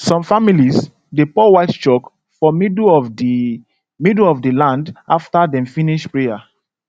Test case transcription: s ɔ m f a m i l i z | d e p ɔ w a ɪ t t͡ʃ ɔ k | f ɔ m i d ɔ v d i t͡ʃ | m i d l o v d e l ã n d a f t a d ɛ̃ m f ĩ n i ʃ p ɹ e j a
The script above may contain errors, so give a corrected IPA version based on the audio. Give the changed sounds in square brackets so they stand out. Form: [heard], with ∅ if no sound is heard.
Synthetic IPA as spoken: s [ɔ̃] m f a m i l i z | d e p ɔ w a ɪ t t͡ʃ ɔ k | f ɔ m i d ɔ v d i [∅] | m i d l [ɔ] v d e l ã n d a f t a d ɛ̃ m f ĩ n i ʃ p ɹ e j a